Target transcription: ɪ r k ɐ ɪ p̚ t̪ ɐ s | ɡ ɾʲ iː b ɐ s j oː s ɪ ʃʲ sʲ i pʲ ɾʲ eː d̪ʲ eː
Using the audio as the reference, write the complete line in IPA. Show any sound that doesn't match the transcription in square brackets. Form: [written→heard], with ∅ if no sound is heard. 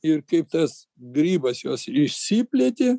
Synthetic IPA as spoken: ɪ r k ɐ ɪ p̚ t̪ ɐ s | ɡ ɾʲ iː b ɐ s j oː s ɪ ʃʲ sʲ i pʲ [ɾʲ→lʲ] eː [d̪ʲ→t̪ʲ] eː